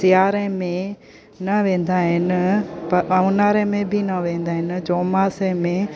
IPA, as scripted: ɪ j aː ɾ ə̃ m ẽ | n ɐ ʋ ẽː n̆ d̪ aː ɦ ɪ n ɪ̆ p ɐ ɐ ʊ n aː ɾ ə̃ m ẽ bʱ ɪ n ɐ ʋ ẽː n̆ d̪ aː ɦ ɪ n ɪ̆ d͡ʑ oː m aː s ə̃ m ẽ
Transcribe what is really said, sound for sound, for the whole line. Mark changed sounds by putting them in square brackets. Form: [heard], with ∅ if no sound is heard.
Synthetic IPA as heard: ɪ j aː ɾ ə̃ m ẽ | n ɐ ʋ ẽː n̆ d̪ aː ɦ ɪ n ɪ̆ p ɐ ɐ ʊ n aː ɾ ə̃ m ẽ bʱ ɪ n ɐ ʋ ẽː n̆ d̪ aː ɦ ɪ n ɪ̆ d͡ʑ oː m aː s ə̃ m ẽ